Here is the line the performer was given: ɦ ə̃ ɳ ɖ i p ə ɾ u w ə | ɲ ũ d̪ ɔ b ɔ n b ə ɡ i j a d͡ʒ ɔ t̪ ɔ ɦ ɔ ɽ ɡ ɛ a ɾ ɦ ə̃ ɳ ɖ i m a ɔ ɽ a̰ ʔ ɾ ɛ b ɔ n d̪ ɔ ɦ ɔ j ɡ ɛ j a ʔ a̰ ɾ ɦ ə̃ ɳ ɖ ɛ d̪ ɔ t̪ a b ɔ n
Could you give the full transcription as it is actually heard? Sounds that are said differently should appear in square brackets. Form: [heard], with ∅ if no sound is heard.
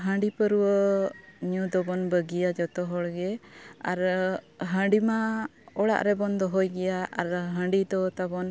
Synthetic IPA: ɦ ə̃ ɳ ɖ i p ə ɾ u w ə | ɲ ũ d̪ ɔ b ɔ n b ə ɡ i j a d͡ʒ ɔ t̪ ɔ ɦ ɔ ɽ ɡ ɛ a ɾ ɦ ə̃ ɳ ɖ i m a ɔ ɽ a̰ ʔ ɾ ɛ b ɔ n d̪ ɔ ɦ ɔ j ɡ ɛ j a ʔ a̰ ɾ ɦ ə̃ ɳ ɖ [i] d̪ ɔ t̪ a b ɔ n